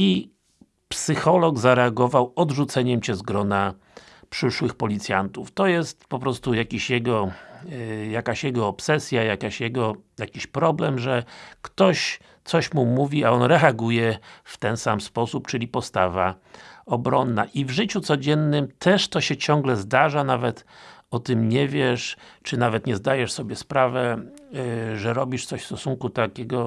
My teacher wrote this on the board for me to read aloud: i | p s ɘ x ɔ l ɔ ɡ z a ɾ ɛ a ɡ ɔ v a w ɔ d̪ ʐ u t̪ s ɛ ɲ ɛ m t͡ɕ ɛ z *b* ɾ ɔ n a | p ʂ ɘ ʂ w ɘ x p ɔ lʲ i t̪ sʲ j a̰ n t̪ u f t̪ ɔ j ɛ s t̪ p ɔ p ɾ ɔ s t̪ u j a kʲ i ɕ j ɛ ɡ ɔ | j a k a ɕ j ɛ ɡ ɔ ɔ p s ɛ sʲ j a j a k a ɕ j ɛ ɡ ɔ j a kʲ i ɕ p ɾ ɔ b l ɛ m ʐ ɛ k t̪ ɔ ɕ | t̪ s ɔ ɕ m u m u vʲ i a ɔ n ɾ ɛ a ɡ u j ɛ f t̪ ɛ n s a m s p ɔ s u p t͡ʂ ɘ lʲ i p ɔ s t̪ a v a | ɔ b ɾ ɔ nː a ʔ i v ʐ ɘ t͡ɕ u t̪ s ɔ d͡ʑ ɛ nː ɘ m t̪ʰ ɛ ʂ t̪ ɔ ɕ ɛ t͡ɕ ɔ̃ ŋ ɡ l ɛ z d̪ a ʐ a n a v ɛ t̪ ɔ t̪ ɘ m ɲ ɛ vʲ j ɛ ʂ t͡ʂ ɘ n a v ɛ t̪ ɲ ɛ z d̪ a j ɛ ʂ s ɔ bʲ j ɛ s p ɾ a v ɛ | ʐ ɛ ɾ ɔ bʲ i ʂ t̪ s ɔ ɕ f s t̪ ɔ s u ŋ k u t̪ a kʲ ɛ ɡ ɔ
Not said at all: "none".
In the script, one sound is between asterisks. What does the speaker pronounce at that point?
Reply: ɡ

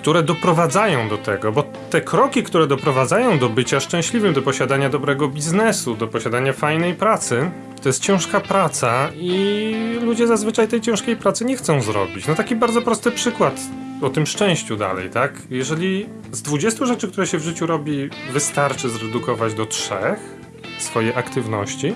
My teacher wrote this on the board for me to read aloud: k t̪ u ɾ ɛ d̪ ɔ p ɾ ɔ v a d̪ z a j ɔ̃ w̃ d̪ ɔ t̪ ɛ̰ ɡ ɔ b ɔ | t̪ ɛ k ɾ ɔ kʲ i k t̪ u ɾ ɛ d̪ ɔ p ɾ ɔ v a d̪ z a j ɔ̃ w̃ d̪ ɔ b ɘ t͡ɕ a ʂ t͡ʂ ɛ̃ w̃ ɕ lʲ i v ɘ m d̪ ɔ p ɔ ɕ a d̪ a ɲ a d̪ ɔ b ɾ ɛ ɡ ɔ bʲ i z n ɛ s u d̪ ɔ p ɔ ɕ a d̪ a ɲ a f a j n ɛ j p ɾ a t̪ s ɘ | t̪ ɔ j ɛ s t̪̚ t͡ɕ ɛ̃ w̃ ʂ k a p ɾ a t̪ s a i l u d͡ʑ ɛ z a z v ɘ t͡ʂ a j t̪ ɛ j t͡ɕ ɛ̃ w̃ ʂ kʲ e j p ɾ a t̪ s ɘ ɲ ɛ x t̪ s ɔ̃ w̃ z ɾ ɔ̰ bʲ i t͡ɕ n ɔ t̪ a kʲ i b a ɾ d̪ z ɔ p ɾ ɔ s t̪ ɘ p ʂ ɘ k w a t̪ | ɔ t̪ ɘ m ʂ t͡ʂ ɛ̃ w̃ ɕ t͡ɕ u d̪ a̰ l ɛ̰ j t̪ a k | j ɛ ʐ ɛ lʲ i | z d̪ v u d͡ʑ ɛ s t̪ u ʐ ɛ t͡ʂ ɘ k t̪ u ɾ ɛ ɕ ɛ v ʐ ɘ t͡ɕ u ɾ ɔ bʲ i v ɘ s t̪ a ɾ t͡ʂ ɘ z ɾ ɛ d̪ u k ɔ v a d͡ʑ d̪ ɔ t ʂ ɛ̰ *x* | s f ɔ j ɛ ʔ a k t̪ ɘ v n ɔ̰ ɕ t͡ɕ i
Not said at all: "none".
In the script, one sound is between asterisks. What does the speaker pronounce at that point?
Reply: x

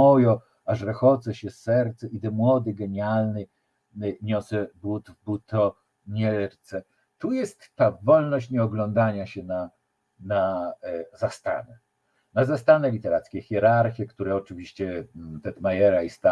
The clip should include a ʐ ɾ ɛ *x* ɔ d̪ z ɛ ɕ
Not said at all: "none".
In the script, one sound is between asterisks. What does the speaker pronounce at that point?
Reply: x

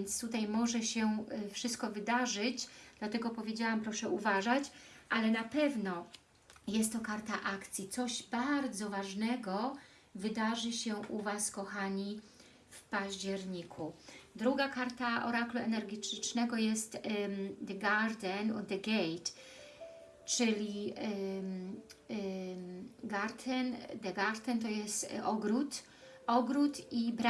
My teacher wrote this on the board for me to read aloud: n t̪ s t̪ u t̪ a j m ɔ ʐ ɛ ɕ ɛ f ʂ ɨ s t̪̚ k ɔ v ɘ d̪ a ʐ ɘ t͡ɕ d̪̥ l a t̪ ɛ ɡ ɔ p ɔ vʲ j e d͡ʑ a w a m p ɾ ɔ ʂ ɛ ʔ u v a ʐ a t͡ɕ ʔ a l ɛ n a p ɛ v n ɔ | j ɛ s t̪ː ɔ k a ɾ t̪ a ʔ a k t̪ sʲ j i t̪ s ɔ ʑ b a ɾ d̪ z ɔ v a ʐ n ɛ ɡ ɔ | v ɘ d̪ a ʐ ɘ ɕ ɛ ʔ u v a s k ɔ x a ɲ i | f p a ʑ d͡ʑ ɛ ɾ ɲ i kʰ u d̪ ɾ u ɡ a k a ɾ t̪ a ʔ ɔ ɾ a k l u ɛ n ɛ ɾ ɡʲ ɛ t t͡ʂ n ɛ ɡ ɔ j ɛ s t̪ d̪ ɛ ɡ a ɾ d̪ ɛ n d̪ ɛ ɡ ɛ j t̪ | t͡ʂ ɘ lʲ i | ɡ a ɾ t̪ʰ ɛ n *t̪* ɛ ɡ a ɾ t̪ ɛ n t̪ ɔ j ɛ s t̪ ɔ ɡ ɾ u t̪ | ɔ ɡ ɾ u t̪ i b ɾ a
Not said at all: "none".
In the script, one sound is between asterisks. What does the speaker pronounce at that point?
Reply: d̪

